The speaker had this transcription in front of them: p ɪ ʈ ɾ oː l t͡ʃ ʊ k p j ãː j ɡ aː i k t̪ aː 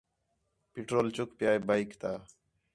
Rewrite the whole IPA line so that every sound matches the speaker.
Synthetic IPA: p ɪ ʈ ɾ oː l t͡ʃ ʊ k p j aː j b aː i k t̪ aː